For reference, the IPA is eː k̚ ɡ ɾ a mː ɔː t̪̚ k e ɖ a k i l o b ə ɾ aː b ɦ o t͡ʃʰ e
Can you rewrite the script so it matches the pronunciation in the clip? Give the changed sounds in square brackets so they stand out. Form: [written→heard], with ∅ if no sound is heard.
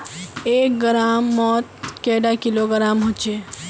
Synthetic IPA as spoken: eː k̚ ɡ ɾ a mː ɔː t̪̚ k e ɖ a k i l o [b→ɡ] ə ɾ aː [b→m] ɦ o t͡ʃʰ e